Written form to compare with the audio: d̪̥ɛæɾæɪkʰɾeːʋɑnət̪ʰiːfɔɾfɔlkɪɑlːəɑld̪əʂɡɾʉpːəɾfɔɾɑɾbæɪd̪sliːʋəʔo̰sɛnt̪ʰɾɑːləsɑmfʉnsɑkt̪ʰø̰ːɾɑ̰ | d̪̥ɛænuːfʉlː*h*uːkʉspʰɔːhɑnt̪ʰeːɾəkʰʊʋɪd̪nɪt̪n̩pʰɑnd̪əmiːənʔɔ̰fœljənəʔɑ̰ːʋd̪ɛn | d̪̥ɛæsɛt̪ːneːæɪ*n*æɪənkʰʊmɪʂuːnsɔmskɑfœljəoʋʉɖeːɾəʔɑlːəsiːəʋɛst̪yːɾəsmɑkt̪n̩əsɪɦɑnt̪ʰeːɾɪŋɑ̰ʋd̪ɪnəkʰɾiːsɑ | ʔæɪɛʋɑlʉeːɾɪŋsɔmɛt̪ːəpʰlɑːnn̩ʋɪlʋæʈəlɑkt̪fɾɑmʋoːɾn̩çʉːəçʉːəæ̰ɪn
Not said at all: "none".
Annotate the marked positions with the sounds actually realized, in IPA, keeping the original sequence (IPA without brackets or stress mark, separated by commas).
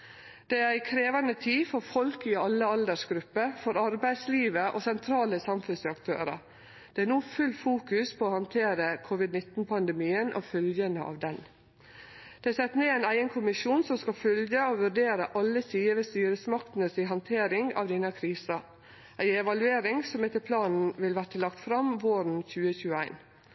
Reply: f, n